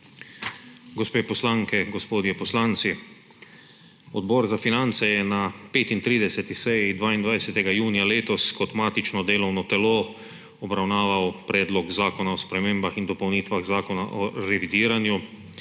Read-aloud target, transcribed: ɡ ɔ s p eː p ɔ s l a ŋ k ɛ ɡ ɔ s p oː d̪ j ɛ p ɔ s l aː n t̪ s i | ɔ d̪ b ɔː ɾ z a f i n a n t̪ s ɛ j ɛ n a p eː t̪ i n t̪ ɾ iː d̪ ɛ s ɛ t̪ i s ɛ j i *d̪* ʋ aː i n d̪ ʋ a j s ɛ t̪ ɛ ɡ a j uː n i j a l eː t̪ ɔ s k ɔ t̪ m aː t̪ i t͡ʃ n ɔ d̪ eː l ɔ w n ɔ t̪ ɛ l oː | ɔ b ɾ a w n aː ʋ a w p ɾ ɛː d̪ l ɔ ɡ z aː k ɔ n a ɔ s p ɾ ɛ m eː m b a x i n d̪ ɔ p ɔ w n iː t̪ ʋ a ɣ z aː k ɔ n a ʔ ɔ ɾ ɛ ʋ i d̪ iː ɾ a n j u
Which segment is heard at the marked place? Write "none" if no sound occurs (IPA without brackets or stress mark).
d̪